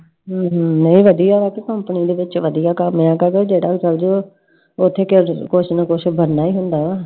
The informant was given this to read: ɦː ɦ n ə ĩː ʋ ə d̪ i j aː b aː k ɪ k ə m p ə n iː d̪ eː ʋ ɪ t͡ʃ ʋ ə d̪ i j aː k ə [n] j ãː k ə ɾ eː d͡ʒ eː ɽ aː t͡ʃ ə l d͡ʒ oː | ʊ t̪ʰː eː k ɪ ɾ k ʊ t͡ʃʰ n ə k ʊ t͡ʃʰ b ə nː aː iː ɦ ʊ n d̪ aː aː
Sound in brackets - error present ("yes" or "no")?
yes